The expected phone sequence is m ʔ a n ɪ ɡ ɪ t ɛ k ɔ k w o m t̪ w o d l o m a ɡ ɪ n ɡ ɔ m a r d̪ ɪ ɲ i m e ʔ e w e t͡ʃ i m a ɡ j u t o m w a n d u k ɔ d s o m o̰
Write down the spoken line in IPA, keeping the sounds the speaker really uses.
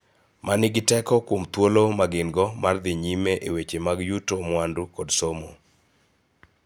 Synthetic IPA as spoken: m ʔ a n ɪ ɡ ɪ t ɛ k ɔ k w o m t̪ w o l o m a ɡ ɪ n ɡ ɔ m a r d̪ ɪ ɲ i m e ʔ e w e t͡ʃ e m a ɡ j u t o m w a n d u k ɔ d s o m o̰

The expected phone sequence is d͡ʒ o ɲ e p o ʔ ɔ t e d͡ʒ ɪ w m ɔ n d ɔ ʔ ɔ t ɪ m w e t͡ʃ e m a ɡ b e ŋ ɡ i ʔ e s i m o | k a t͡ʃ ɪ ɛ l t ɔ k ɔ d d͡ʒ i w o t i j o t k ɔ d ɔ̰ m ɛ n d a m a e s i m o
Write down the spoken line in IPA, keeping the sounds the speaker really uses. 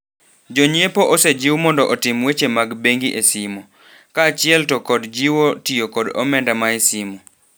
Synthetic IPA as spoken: d͡ʒ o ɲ e p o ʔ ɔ s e d͡ʒ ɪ w m ɔ n d ɔ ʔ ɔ t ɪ m w e t͡ʃ e m a ɡ b e ŋ ɡ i ʔ e s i m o | k a t͡ʃ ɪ ɛ l t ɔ k ɔ d d͡ʒ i w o t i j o k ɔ d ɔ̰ m ɛ n d a m a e s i m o

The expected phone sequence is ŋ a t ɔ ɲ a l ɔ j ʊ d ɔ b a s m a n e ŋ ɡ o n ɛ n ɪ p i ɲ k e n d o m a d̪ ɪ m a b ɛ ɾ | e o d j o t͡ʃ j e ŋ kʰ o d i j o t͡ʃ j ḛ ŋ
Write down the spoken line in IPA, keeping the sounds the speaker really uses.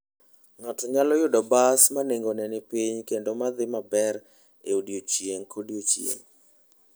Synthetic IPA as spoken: ŋ a t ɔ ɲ a l ɔ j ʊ d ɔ b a s m a n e ŋ ɡ o n ɛ n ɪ p i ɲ k e n d o m a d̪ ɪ m a b ɛ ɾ | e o d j o t͡ʃ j e ŋ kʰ o d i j o t͡ʃ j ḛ ŋ

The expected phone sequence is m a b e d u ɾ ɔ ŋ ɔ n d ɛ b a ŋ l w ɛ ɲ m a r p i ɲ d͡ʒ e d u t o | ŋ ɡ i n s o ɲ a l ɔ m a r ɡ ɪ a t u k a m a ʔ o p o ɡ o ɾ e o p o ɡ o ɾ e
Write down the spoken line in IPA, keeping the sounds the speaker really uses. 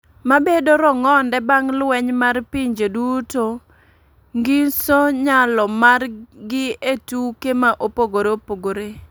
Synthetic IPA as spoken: m a b e d o ɾ ɔ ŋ ɔ n d ɛ b a ŋ l w ɛ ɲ m a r p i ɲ d͡ʒ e d u t o | ŋ ɡ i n s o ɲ a l ɔ m a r ɡ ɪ e t u k e m a ʔ o p o ɡ o ɾ e o p o ɡ o ɾ e

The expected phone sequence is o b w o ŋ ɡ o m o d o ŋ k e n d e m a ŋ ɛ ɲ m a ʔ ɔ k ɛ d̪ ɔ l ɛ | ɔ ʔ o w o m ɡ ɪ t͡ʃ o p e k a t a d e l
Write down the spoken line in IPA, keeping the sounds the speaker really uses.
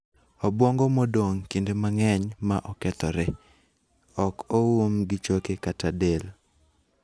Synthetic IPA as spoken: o b w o ŋ ɡ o m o d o ŋ k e n d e m a ŋ ɛ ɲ m a ʔ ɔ k ɛ t̪ ɔ ɾ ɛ | ɔ k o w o m ɡ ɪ t͡ʃ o k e k a t a d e l

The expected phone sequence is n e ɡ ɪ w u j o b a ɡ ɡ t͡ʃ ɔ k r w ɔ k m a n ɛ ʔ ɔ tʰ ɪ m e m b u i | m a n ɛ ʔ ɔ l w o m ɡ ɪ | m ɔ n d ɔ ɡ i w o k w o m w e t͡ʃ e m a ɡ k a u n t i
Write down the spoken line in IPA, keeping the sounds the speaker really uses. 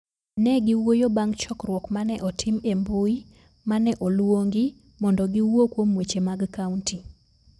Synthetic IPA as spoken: n ɛ ɡ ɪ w o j o b a ŋ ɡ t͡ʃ ɔ k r w ɔ k m a n ɛ ʔ ɔ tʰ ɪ m e m b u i | m a n ɛ ʔ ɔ l w o ŋ ɡ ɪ | m ɔ n d ɔ ɡ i w o k w o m w e t͡ʃ e m a ɡ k a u n t i

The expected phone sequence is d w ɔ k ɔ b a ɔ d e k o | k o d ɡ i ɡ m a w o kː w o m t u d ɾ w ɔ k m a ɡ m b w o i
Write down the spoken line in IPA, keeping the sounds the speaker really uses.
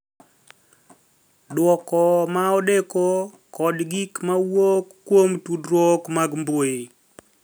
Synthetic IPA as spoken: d w ɔ k ɔ m a ɔ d e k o | k ɔ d ɡ i k m a w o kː w o m t u d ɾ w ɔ k m a ɡ m b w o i

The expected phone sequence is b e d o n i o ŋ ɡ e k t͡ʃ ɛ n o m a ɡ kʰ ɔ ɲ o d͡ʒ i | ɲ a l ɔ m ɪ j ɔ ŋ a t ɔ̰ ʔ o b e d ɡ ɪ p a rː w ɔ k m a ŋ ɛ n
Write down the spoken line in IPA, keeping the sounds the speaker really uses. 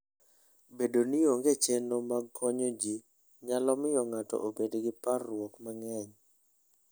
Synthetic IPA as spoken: b e d o n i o ŋ ɡ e t͡ʃ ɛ n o m a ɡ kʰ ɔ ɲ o d͡ʒ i | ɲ a l ɔ m ɪ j ɔ ŋ a t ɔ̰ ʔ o b e d ɡ ɪ p a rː w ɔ k m a ŋ ɛ ɲ

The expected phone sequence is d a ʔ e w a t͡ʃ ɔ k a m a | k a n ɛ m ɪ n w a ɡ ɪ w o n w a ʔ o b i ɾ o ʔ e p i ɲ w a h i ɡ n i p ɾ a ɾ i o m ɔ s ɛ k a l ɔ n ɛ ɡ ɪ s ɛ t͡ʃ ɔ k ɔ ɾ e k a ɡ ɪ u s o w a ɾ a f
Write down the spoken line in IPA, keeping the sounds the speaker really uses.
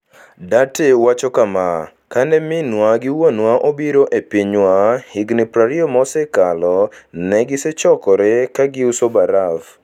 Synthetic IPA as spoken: d a t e w a t͡ʃ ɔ k a m a | k a n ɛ m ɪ n w a ɡ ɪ w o n w a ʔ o b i ɾ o ʔ e p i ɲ w a h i ɡ n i p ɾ a ɾ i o m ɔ s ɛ k a l ɔ n ɛ ɡ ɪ s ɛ t͡ʃ ɔ k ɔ ɾ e k a ɡ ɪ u s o b a ɾ a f

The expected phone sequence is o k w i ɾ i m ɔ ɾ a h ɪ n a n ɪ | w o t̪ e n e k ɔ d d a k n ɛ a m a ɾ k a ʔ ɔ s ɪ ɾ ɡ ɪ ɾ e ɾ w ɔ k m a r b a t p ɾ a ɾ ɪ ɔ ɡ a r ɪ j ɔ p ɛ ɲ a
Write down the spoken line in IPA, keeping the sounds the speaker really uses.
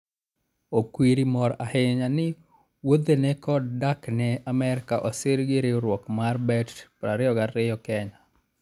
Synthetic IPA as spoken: o k w i ɾ i m ɔ ɾ a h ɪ ɲ a n ɪ | w o d̪ e n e k ɔ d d a k n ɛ a m ɛ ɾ k a ʔ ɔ s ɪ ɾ ɡ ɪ ɾ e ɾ w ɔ k m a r b ɛ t p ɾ a ɾ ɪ ɔ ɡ a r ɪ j ɔ k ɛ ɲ a

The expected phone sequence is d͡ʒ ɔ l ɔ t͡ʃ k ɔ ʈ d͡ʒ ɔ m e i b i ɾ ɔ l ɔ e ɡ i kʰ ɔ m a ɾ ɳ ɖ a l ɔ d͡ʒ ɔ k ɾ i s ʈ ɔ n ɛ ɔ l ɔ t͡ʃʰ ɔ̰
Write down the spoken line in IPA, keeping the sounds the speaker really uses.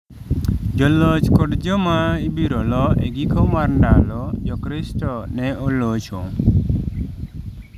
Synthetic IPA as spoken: d͡ʒ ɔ l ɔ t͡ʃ k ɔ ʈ d͡ʒ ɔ m a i b i ɾ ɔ l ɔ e ɡ i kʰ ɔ m a ɾ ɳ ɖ a l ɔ d͡ʒ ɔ k ɾ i s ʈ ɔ n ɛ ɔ l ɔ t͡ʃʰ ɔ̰

